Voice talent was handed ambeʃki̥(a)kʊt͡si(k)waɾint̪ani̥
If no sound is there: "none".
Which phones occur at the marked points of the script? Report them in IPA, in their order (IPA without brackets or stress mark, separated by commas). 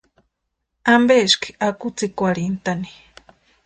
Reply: a, k